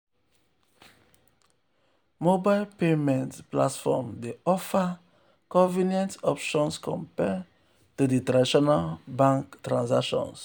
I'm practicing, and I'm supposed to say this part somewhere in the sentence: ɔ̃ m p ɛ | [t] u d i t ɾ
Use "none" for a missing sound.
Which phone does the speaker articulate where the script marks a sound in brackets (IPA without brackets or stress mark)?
t